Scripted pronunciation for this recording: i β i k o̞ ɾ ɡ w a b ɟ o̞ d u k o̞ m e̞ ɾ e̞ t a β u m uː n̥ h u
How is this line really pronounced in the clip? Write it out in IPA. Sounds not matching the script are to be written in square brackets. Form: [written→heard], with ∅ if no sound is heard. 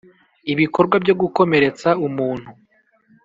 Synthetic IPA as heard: i β i k o̞ ɾ ɡ w a b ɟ o̞ [d→ɡ] u k o̞ m e̞ ɾ e̞ [t→t͡s] a [β→∅] u m uː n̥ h u